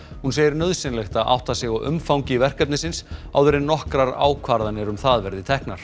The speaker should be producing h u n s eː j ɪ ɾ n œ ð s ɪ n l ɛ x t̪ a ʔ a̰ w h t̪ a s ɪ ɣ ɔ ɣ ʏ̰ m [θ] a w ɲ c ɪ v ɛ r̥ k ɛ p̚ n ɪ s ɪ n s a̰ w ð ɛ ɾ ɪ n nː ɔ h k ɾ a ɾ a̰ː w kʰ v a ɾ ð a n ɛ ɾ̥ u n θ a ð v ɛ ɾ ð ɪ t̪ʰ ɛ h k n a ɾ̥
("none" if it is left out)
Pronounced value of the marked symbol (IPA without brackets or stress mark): f